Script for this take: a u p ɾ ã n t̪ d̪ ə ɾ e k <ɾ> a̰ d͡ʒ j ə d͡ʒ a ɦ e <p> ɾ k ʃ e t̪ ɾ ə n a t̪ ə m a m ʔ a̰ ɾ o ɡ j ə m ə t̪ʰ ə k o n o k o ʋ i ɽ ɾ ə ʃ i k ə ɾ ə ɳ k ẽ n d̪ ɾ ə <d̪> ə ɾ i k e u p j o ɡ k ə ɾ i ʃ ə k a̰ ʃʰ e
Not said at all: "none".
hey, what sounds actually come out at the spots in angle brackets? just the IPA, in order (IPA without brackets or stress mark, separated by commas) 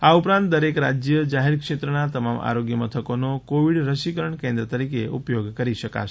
ɾ, none, t̪